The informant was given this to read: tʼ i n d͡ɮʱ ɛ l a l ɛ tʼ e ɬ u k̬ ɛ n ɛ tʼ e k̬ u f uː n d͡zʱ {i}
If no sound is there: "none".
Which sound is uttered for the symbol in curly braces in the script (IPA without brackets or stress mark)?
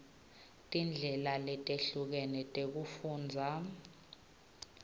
a